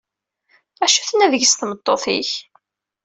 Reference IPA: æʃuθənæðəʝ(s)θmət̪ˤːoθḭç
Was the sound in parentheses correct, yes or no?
yes